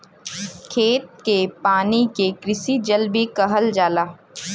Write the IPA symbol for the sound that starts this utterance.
kʰ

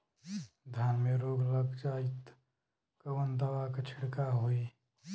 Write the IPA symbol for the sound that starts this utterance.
d̪ʱ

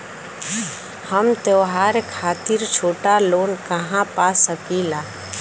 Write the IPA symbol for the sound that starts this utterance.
h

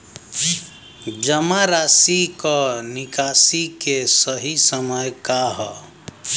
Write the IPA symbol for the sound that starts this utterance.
d͡ʒ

